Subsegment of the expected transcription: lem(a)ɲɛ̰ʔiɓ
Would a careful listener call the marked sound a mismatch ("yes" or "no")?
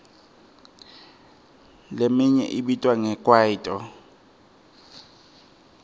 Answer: yes